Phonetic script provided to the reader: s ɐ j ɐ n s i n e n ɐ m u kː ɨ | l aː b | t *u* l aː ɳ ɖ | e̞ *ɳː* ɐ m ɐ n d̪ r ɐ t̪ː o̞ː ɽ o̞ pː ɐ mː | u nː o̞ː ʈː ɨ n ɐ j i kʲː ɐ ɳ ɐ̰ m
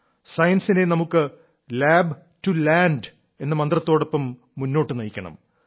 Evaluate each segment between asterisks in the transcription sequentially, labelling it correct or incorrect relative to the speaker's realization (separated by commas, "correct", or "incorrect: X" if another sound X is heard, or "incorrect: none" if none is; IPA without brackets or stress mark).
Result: correct, incorrect: nː